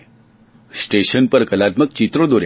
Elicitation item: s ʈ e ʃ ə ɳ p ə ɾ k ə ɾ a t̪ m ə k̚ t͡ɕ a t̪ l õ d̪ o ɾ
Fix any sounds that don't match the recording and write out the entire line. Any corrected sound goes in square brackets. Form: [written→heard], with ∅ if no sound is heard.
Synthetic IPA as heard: s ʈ e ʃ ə [ɳ→n] p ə ɾ k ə [ɾ→l] a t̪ m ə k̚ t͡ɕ [a→i] t̪ [l→ɾ] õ d̪ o ɾ

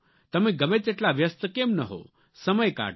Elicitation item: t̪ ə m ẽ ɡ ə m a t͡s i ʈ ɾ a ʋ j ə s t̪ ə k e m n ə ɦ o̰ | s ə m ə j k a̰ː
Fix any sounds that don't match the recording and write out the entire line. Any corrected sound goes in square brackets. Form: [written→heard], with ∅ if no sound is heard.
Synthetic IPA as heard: t̪ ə m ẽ ɡ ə m [a→e] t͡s [i→e] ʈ [ɾ→l] a ʋ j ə s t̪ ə k e m n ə ɦ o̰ | s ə m ə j k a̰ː

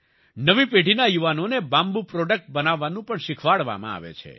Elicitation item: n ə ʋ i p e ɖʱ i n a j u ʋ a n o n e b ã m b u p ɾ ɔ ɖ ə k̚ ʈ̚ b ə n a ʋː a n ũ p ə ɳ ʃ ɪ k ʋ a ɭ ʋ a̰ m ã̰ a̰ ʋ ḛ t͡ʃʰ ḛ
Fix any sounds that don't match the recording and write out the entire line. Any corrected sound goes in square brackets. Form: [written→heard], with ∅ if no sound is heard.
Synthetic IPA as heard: n ə ʋ i p e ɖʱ i n a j u ʋ a n o n e b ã m b u p ɾ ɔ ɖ ə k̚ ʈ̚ b ə n a ʋː a n ũ p ə ɳ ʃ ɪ [k→kʰ] ʋ a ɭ ʋ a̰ m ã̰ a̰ ʋ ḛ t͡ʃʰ ḛ

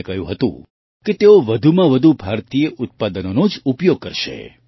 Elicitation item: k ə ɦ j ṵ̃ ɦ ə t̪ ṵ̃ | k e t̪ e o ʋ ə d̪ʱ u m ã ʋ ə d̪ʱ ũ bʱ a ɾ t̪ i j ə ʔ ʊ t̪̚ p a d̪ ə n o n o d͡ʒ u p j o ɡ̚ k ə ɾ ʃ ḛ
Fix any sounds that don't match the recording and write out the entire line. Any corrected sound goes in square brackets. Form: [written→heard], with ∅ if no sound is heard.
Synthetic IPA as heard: k ə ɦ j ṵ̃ ɦ ə t̪ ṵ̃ | k e t̪ e o ʋ ə d̪ʱ u m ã ʋ ə d̪ʱ [ũ→u] bʱ a ɾ t̪ i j ə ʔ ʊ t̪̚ p a d̪ ə n o n o d͡ʒ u p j o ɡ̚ k ə ɾ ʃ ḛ

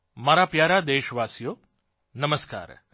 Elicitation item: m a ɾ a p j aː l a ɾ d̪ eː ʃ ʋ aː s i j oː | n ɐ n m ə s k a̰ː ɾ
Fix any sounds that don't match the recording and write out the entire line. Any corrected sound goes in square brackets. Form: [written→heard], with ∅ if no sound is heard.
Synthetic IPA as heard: m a ɾ a p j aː [l→ɾ] a [ɾ→∅] d̪ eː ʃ ʋ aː s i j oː | n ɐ [n→∅] m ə s k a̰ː ɾ

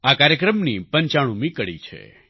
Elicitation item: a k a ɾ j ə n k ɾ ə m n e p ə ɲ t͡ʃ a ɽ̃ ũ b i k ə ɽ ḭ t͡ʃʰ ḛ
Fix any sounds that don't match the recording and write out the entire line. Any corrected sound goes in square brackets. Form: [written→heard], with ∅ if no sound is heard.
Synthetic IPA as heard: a k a ɾ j ə [n→∅] k ɾ ə m n [e→i] p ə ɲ t͡ʃ a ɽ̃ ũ [b→m] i k ə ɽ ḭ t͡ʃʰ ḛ

